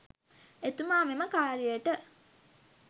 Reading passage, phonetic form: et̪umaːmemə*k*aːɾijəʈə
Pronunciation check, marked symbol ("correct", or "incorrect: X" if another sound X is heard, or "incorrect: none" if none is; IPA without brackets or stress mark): correct